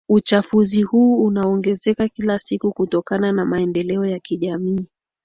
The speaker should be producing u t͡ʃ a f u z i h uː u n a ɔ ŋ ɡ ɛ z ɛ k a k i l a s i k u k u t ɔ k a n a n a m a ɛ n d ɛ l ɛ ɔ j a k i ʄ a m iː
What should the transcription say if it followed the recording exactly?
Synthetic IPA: u t͡ʃ a f u z i h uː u n a ɔ ŋ ɡ ɛ z ɛ k a k i l a s i k u k u t ɔ k a n a n a m a ɛ n d ɛ l ɛ ɔ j a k i ʄ a m iː

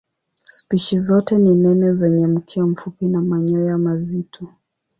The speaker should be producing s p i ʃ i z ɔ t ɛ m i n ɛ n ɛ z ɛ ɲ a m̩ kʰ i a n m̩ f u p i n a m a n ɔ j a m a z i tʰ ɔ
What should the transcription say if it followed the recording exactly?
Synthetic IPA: s p i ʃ i z ɔ t ɛ n i n ɛ n ɛ z ɛ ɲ ɛ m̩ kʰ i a m̩ f u p i n a m a ɲ ɔ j a m a z i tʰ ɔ

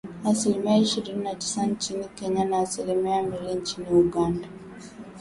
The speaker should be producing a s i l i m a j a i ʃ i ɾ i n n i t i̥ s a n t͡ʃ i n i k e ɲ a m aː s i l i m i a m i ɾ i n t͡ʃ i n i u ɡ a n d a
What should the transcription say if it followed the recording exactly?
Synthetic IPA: a s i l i m i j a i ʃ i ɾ i n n a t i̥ s a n t͡ʃ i n i k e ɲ a n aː s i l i m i a m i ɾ i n t͡ʃ i n i u ɡ a n d a

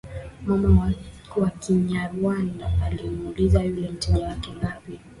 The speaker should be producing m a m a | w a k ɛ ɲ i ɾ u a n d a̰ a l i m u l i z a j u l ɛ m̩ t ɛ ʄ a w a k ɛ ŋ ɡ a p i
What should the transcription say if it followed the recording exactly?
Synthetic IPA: m a m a | w a k i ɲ a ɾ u a n d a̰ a l i m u l i z a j u l ɛ m̩ t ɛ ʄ a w a k ɛ ŋ ɡ a p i

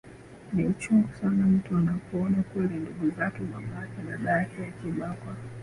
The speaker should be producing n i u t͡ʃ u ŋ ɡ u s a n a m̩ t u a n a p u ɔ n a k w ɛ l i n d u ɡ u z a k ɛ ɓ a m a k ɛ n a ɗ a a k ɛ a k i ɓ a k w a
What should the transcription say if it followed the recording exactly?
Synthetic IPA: n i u t͡ʃ u ŋ ɡ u s a n a m̩ t u a n a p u ɔ n a k w ɛ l i n d u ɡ u z a k ɛ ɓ a m a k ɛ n a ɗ a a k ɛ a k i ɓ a k w a

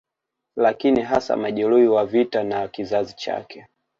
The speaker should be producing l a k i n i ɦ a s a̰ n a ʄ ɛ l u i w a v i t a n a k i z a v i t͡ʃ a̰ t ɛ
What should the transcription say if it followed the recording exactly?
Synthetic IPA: l a k i n i ɦ a s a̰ m a ʄ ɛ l u i w a v i t a n a k i z a z i t͡ʃ a̰ k ɛ

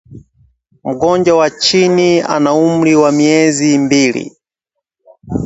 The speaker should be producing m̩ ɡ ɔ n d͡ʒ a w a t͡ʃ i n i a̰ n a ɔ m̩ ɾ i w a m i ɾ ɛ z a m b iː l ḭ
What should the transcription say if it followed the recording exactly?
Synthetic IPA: m̩ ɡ ɔ n d͡ʒ a w a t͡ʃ i n i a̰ n a u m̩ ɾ i w a m i ɛ z i m b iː l ḭ

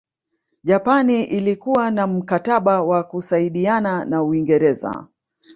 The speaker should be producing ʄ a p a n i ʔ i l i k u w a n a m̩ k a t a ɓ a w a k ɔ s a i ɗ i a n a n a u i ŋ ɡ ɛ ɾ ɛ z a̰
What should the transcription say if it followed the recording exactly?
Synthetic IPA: ʄ a p a n i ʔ i l i k u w a n a m̩ k a t a ɓ a w a k u s a i ɗ i a n a n a u i ŋ ɡ ɛ ɾ ɛ z a̰

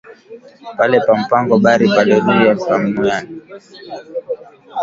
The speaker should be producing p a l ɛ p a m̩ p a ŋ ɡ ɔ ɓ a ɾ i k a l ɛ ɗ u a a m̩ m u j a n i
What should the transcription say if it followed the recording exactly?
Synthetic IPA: p a l ɛ p a m̩ p a ŋ ɡ ɔ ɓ a ɾ i p a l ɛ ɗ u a a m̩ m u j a n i

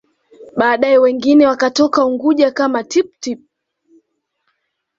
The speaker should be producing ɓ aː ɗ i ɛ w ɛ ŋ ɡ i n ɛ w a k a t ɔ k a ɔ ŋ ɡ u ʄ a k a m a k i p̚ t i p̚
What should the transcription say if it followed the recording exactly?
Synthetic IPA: ɓ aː ɗ a ɛ w ɛ ŋ ɡ i n ɛ w a k a t ɔ k a u ŋ ɡ u ʄ a k a m a t i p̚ t i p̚

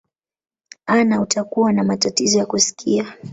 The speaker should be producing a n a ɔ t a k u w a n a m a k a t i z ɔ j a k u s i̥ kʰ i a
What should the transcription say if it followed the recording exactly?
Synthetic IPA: a n a u t a k u w a n a m a t a t i z ɔ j a k u s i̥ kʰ i a

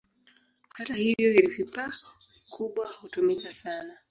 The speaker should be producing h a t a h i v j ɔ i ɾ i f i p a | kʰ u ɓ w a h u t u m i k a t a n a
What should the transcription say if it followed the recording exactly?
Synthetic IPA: h a t a h i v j ɔ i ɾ i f i p a | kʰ u ɓ w a h u t u m i k a s a n a

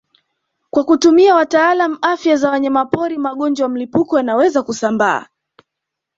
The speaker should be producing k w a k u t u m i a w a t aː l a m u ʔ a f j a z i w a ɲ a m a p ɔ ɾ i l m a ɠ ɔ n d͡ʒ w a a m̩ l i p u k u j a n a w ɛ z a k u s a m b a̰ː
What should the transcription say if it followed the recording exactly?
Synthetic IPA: k w a k u t u m i a w a t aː l a m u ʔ a f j a z a w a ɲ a m a p ɔ ɾ i m a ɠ ɔ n d͡ʒ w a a m̩ l i p u k ɔ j a n a w ɛ z a k u s a m b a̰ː

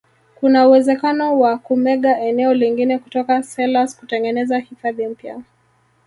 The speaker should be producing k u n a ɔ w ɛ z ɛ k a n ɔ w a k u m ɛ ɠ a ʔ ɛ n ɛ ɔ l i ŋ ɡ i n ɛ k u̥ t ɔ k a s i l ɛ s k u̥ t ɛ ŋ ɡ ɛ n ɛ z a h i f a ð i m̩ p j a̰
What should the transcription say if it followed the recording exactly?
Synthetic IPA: k u n a u w ɛ z ɛ k a n ɔ w a k u m ɛ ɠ a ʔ ɛ n ɛ ɔ l i ŋ ɡ i n ɛ k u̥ t ɔ k a s ɛ l a s k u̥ t ɛ ŋ ɡ ɛ n ɛ z a h i f a ð i m̩ p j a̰

